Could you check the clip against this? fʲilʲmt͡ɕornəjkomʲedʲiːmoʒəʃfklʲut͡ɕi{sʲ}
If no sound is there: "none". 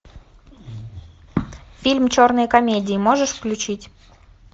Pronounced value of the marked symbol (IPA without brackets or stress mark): tʲ